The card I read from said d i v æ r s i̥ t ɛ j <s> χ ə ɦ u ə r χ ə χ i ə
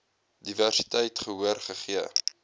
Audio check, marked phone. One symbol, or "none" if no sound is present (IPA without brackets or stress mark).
t